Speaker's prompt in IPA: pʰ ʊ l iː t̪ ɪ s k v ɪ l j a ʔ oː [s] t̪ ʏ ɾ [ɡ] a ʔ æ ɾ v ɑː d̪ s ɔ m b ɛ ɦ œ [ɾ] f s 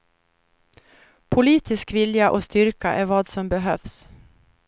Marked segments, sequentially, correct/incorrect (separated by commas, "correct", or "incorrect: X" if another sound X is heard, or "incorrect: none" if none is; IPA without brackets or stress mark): correct, incorrect: k, incorrect: none